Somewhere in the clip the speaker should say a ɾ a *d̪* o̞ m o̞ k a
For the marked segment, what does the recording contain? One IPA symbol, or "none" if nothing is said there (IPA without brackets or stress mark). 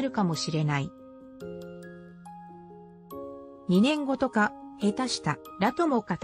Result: t̪